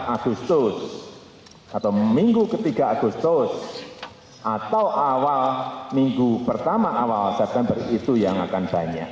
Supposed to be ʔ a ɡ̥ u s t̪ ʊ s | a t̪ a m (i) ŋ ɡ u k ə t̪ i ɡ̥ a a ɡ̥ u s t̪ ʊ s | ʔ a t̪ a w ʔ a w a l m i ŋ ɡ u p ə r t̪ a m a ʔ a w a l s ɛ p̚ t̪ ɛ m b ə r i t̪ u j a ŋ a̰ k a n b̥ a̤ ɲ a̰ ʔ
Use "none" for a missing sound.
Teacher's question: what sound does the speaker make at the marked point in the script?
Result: i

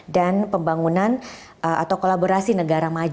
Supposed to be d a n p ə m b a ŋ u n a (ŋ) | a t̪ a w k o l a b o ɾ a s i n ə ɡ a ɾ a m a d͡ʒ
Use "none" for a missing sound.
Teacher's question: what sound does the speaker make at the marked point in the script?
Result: n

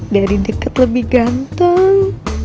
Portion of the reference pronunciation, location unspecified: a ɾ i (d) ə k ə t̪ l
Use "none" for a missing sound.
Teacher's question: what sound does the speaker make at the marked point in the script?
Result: d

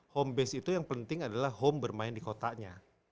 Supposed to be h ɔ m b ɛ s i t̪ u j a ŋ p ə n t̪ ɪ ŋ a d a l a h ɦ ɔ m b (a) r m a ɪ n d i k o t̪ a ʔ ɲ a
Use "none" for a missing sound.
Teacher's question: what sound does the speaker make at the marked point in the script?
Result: ə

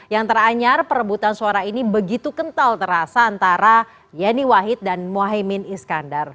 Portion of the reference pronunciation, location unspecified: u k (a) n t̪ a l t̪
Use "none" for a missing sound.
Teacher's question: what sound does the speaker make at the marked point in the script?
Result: ə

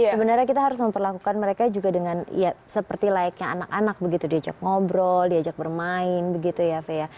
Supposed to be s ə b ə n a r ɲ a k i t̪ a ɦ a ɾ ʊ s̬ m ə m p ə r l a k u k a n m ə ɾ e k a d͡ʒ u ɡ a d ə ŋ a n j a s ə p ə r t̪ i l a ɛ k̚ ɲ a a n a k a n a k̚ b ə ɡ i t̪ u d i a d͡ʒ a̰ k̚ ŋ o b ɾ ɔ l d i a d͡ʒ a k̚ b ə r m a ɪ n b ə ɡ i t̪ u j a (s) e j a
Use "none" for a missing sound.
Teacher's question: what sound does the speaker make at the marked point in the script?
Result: f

